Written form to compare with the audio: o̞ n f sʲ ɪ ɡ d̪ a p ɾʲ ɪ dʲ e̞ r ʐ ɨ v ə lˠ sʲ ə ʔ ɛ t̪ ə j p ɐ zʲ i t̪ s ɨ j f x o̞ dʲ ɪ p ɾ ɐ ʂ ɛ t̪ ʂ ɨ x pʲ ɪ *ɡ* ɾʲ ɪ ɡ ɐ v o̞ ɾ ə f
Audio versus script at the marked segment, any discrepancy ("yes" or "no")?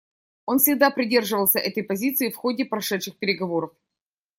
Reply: yes